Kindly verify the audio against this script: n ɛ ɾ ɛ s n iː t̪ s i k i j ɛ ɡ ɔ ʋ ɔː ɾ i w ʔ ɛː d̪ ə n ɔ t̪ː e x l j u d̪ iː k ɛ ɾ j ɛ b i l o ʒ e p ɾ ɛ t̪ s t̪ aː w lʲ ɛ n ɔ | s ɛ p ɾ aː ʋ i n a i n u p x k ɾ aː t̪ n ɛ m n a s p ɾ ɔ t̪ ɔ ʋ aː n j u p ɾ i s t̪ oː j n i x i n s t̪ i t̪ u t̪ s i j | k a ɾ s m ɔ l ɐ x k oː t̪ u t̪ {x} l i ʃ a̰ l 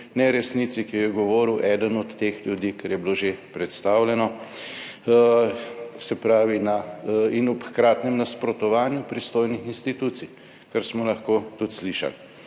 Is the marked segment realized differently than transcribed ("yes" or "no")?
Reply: yes